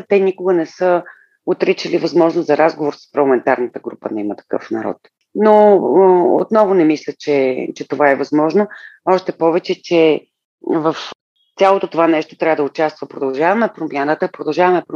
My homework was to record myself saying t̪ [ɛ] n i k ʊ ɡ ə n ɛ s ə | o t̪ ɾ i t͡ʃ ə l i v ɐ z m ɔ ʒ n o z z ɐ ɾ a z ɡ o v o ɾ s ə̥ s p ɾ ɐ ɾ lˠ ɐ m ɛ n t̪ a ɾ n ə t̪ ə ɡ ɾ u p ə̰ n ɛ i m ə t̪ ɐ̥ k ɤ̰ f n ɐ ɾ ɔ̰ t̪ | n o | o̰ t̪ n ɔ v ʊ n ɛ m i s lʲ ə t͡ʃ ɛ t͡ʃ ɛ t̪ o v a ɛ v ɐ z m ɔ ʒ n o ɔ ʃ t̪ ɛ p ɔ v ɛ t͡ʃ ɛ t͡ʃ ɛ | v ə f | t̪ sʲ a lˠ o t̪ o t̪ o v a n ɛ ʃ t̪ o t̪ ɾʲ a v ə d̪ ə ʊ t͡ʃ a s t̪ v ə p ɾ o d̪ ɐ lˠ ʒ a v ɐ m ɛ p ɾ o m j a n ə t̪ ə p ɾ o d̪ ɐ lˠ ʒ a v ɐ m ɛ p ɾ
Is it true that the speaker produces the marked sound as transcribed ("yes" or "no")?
yes